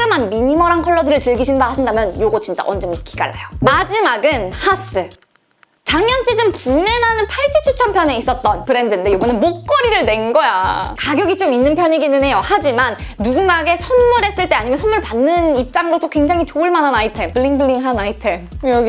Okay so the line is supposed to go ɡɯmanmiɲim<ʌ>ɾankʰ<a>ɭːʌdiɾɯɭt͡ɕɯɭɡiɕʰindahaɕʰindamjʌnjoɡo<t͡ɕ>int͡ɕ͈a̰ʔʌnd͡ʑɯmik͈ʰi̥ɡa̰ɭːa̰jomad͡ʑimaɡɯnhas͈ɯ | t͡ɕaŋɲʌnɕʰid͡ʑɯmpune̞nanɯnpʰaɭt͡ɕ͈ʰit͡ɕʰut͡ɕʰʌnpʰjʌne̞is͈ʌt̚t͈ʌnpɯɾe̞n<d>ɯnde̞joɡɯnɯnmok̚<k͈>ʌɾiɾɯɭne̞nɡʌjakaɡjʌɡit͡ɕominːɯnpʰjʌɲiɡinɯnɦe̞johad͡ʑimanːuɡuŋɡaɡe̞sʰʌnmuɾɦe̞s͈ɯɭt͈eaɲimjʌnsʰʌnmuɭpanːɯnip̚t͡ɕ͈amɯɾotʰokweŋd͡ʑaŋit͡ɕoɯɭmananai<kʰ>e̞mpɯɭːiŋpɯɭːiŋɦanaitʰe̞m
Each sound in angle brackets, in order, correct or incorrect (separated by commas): correct, incorrect, correct, correct, correct, incorrect